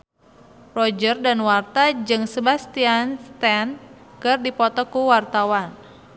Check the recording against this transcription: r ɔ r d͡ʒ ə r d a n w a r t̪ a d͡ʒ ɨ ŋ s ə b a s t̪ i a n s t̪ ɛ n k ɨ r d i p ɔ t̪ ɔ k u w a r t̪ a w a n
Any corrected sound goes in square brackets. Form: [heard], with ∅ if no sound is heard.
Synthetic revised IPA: r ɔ [∅] d͡ʒ ə r d a n w a r t̪ a d͡ʒ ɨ ŋ s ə b a s t̪ i a n s t̪ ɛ n k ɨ r d i p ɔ t̪ ɔ k u w a r t̪ a w a n